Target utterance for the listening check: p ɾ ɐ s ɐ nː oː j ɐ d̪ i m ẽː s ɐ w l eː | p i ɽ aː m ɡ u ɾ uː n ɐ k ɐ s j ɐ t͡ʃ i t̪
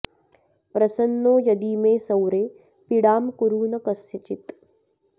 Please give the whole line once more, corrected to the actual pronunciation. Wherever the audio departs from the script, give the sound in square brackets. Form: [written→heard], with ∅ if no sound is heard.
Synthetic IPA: p ɾ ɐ s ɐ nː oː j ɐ d̪ i m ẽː s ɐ w [l→ɾ] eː | p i ɽ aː m [ɡ→k] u ɾ uː n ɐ k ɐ s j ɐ t͡ʃ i t̪